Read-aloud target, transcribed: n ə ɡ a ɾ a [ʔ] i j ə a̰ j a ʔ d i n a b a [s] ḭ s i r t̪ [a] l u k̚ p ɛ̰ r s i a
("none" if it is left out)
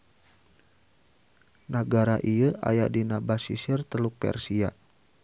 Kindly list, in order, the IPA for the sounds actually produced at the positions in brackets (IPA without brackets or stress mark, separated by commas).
ʔ, s, ə